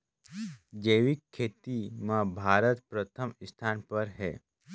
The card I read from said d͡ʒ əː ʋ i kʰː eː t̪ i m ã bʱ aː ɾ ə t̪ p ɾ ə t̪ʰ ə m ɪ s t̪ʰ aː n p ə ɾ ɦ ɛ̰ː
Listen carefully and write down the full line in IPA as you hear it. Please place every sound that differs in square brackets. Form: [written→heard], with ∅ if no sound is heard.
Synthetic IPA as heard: d͡ʒ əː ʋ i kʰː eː t̪ i m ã bʱ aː ɾ ə t̪ p ɾ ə t̪ʰ ə m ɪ s t̪ʰ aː n p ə ɾ ɦ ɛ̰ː